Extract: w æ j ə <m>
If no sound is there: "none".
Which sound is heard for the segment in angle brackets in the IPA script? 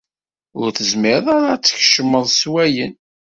n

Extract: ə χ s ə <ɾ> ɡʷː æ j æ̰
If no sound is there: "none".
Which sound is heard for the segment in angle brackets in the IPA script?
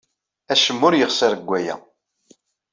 ɾ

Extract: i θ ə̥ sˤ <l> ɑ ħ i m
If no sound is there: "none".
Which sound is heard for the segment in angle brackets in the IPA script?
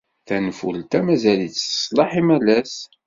l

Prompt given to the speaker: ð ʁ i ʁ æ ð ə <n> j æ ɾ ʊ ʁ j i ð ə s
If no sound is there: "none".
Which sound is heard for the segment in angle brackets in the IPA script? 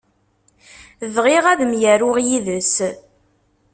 m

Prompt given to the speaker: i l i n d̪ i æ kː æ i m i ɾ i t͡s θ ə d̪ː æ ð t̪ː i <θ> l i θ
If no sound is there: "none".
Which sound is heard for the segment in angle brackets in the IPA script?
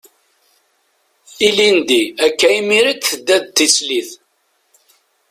s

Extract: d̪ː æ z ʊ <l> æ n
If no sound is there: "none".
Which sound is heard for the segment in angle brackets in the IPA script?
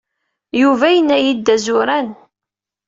ɾ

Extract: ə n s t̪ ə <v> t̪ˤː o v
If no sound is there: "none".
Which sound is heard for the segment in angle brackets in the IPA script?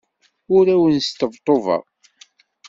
v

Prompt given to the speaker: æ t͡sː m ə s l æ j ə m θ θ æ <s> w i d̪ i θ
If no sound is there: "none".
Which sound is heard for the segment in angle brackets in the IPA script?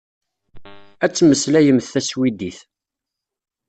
s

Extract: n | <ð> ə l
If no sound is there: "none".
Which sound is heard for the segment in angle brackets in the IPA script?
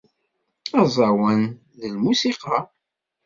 ð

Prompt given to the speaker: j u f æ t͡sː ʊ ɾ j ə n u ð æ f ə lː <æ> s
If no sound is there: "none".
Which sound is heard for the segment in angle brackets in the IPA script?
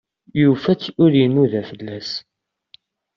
æ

